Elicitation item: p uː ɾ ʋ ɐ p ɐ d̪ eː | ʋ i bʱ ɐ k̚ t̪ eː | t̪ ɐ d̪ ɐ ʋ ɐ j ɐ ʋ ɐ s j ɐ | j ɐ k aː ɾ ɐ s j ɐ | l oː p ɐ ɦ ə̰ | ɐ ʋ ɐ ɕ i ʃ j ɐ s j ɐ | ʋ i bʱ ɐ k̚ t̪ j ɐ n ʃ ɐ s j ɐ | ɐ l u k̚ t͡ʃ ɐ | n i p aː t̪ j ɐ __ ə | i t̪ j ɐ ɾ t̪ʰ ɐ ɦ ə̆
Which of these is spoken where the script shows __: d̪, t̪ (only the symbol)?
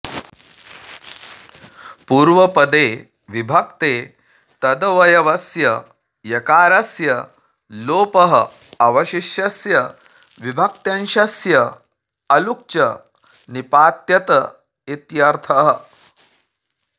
t̪